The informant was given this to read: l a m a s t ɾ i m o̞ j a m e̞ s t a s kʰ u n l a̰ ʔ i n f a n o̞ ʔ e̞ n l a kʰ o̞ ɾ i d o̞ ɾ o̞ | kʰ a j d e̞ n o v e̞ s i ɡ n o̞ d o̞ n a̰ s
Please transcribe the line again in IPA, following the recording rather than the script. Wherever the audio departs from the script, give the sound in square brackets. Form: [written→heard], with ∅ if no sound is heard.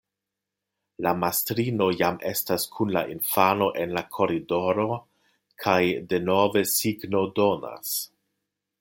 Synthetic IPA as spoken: l a m a s t ɾ i [m→n] o̞ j a m e̞ s t a s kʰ u n l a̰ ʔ i n f a n o̞ ʔ e̞ n l a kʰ o̞ ɾ i d o̞ ɾ o̞ | kʰ a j d e̞ n o v e̞ s i ɡ n o̞ d o̞ n a̰ s